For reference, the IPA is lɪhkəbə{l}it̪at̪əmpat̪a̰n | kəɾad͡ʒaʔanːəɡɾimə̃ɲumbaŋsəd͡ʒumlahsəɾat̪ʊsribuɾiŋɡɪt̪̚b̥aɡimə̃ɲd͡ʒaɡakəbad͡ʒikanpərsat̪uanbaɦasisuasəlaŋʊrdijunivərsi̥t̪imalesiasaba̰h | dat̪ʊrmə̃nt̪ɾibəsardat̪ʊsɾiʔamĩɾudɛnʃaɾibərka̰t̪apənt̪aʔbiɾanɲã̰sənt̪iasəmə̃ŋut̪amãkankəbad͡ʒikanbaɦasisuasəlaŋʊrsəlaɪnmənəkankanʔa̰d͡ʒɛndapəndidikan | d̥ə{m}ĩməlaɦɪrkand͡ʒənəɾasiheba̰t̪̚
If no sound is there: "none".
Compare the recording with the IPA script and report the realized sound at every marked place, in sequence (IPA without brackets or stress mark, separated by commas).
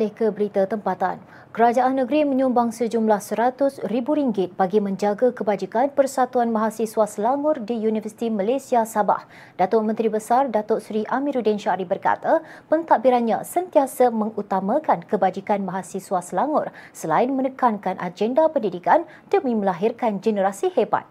ɾ, m